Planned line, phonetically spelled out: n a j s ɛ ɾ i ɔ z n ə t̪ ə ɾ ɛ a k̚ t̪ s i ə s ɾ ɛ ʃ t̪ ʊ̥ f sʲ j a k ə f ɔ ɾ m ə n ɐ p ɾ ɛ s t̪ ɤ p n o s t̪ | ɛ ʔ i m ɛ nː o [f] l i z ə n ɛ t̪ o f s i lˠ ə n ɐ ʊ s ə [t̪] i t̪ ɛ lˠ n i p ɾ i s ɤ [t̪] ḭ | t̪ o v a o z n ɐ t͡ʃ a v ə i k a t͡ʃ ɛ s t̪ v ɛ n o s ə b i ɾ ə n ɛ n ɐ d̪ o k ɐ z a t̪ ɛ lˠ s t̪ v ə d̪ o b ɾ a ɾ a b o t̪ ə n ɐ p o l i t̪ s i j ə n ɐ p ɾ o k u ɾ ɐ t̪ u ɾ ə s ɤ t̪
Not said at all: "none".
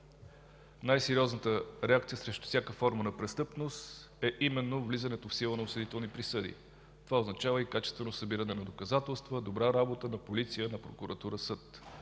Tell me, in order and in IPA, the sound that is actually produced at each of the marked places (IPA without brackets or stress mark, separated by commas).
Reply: v, d̪, d̪